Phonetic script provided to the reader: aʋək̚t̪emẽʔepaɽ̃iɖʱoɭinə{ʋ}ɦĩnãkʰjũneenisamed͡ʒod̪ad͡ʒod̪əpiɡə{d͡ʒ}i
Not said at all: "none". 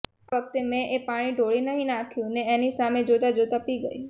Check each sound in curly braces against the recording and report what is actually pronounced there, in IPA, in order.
none, none

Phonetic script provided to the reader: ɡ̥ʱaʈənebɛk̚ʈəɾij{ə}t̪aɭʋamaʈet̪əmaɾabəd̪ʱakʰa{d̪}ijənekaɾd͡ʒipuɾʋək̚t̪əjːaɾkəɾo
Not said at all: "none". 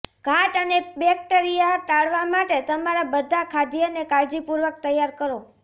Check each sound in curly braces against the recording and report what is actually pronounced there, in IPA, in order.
a, d̪

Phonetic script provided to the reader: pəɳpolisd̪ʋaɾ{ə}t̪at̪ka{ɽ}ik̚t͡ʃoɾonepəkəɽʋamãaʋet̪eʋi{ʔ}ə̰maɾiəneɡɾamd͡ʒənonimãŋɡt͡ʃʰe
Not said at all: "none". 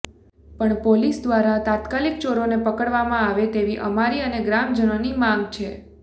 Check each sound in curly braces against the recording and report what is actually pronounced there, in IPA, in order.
a, l, ʔ

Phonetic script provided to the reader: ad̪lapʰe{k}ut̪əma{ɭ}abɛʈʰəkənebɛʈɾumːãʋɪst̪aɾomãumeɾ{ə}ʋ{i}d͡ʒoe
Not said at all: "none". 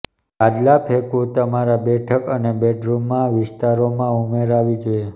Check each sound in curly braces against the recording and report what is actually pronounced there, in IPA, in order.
k, ɾ, a, i

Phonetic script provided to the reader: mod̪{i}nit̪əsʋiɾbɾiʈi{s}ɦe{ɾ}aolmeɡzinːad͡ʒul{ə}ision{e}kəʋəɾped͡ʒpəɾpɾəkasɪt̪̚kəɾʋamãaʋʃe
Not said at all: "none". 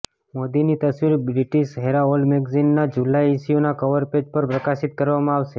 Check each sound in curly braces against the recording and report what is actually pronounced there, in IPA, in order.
i, ʃ, ɾ, a, a

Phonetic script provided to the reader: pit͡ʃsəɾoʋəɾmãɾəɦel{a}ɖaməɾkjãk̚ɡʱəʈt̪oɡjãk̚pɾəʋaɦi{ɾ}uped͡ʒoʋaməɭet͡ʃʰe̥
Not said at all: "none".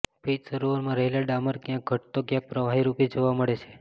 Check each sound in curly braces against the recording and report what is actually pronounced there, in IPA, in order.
a, ɾ

